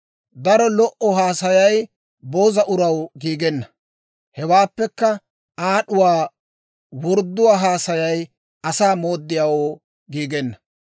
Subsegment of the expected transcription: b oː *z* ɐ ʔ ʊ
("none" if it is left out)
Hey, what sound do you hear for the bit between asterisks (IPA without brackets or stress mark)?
z